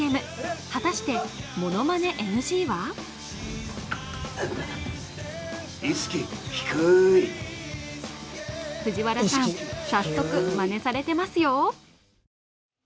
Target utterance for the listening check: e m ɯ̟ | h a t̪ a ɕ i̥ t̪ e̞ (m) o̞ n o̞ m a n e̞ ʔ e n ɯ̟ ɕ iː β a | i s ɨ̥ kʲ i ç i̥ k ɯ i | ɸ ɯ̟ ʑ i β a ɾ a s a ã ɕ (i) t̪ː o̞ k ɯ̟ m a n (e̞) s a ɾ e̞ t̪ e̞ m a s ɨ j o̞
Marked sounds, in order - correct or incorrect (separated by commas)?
correct, incorrect, correct